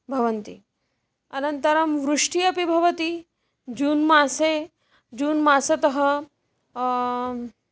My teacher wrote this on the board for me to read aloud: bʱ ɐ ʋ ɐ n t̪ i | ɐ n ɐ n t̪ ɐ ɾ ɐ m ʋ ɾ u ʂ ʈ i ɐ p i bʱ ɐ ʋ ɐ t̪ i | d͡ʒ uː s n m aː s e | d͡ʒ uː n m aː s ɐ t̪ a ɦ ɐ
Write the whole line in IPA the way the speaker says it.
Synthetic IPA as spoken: bʱ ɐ ʋ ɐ n t̪ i | ɐ n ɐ n t̪ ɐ ɾ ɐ m ʋ ɾ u ʂ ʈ i ɐ p i bʱ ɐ ʋ ɐ t̪ i | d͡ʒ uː n m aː s e | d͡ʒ uː n m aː s ɐ t̪ ɐ ɦ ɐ